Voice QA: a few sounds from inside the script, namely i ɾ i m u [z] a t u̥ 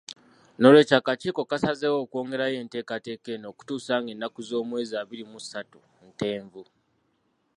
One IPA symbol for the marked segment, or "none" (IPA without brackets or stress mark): s